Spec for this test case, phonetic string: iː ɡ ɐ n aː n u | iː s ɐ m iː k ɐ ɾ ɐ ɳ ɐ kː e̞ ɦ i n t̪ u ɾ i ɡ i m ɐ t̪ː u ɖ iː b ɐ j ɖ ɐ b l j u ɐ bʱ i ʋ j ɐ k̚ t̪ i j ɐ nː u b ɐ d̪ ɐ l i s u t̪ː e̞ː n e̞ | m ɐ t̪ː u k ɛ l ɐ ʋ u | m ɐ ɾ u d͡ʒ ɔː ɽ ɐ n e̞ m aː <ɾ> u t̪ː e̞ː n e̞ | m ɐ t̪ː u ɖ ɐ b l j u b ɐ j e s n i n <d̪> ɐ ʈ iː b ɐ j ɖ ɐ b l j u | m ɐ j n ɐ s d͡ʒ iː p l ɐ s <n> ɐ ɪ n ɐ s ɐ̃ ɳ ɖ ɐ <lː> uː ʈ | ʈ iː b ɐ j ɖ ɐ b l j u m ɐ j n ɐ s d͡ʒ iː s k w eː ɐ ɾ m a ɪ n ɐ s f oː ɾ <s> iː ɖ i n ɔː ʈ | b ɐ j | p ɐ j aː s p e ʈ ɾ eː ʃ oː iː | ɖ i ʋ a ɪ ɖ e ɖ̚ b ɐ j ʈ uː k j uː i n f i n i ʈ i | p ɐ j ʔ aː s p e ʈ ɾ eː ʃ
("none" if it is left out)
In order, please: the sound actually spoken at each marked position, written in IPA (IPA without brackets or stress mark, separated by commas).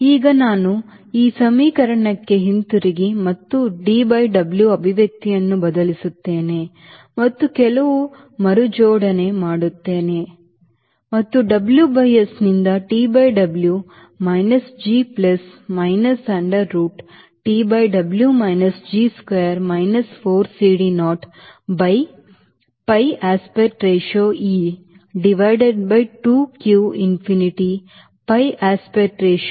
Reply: ɽ, d̪, m, ɾː, s